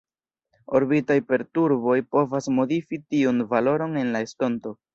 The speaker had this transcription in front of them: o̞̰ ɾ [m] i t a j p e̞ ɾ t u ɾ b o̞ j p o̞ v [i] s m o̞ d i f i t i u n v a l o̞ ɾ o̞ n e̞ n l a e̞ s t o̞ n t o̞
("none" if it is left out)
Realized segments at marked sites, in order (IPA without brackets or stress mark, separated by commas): b, a